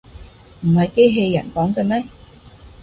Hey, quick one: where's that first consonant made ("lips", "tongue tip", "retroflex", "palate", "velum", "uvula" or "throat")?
lips